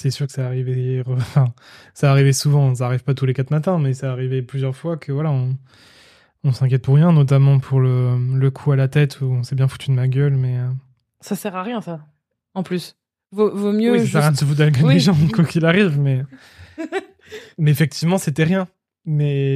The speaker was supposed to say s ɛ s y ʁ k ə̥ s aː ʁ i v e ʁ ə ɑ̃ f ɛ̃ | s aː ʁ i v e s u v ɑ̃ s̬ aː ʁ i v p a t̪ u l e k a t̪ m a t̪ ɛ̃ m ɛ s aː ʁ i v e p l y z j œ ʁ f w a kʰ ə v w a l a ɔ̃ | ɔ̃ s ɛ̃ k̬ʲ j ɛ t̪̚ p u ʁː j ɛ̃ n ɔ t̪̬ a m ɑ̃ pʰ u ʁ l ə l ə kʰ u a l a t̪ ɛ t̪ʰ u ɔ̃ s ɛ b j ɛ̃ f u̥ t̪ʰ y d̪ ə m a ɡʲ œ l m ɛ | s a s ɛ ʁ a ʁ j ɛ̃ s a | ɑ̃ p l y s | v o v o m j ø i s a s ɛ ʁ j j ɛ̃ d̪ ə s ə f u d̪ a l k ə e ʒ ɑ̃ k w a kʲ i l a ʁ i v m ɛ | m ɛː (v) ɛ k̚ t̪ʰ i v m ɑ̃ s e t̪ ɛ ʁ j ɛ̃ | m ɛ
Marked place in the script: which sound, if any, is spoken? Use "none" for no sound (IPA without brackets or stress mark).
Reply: f